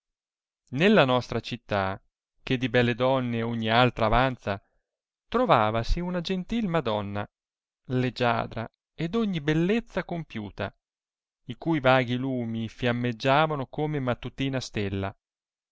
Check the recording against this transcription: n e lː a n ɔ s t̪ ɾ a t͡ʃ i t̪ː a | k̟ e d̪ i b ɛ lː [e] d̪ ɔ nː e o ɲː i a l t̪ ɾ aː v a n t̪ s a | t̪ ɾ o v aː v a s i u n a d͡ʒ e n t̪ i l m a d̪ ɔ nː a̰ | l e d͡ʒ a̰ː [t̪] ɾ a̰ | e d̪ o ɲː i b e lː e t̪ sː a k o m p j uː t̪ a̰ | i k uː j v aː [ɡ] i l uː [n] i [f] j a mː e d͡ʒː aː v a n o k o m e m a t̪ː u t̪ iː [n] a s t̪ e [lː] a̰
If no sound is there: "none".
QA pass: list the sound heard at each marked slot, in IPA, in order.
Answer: e, d̪, ɡ, m, f, n, lː

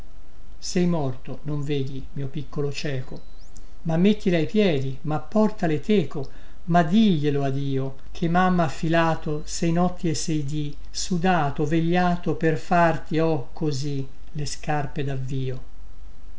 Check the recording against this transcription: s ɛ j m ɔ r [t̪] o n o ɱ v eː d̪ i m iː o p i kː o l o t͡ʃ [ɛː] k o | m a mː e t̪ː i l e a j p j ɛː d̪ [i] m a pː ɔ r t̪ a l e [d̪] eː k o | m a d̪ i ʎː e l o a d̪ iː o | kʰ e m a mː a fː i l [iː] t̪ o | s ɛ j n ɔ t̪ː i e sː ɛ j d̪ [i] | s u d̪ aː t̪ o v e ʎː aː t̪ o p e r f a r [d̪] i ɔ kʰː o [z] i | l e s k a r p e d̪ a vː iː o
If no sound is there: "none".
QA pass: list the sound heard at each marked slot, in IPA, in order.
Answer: t̪, ɛː, i, t̪, aː, i, t̪, z

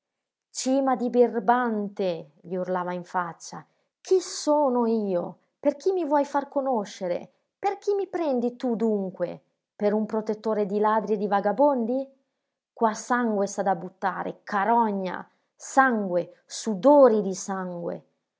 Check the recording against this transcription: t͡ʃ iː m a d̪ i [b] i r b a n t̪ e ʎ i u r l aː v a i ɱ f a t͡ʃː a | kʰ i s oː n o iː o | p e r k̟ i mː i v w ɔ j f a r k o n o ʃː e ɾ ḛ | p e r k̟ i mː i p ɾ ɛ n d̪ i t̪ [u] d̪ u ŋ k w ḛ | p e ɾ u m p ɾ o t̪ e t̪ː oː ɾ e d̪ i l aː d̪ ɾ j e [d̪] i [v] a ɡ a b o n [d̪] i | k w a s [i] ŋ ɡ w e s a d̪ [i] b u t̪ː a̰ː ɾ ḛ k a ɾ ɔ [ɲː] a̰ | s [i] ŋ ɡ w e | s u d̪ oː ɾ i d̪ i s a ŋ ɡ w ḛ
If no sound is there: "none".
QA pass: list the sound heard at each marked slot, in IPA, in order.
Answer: b, u, d̪, v, d̪, a, a, ɲː, a

